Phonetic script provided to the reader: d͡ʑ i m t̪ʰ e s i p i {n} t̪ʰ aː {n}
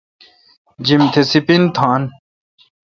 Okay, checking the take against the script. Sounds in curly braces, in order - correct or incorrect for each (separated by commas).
correct, correct